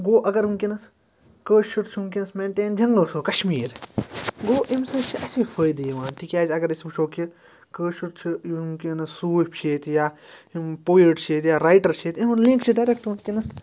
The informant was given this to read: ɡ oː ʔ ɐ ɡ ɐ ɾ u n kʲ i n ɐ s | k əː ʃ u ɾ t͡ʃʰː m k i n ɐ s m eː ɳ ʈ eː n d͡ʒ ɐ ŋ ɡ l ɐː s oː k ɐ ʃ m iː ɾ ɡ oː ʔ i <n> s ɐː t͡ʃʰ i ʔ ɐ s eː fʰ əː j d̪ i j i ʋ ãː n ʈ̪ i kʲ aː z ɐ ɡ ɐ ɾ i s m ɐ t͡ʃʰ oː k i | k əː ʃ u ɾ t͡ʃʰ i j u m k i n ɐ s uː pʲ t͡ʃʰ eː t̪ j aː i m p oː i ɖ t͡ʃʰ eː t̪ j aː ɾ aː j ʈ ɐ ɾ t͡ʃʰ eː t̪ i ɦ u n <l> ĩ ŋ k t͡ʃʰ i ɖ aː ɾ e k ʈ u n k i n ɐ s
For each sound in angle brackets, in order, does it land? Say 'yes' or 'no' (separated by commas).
no, yes